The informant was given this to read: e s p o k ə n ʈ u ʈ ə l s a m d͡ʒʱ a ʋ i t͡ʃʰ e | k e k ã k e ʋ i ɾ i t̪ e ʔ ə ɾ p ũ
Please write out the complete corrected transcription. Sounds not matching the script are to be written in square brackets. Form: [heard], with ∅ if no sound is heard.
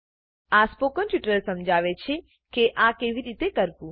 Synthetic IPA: [a] s p o k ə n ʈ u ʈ ə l s [ə] m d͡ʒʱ a ʋ [e] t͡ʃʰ e | k e [ʔ] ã k e ʋ i ɾ i t̪ e [k] ə ɾ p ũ